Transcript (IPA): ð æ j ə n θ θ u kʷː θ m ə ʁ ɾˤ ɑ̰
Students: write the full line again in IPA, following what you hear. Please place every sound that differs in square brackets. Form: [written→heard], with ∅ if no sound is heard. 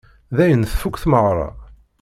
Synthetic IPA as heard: ð æ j ə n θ [θ→f] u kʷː θ m ə ʁ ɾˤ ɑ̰